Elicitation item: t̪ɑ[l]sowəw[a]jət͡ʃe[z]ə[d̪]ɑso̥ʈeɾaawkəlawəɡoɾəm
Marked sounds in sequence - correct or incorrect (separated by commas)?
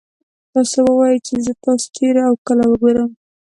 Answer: incorrect, incorrect, correct, incorrect